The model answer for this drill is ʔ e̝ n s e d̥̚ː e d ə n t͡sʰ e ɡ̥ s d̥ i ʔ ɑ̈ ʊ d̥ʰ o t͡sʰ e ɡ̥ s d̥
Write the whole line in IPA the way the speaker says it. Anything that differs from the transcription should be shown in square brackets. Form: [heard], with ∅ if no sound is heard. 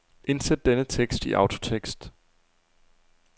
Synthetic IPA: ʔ e̝ n s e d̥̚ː e [n] ə [∅] t͡sʰ e ɡ̥ s d̥ i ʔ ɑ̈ ʊ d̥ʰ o t͡sʰ e ɡ̥ s d̥